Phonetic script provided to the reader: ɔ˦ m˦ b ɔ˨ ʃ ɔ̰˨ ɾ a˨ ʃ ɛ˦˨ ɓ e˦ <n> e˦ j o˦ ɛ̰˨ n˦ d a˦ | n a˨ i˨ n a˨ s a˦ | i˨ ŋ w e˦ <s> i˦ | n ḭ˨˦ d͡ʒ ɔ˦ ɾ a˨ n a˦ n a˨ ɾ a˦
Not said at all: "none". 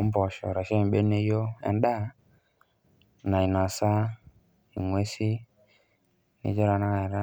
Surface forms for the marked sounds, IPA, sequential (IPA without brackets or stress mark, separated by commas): n, s